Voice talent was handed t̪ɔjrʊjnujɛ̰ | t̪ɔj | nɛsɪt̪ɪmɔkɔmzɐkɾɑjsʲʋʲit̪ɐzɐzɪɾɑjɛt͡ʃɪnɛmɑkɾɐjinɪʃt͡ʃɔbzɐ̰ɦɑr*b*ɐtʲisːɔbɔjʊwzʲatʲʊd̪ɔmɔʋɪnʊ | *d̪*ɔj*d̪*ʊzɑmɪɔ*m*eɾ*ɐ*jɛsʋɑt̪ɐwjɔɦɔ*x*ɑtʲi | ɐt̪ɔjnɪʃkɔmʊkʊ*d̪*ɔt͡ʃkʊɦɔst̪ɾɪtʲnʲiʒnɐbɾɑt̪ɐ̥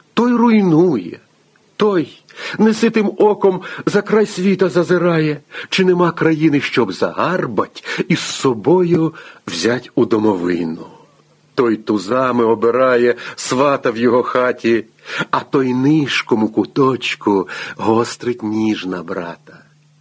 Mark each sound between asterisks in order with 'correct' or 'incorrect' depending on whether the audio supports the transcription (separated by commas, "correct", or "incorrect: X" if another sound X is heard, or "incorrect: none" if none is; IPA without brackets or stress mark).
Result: correct, incorrect: t̪, incorrect: t̪, incorrect: b, incorrect: ɑ, correct, incorrect: t̪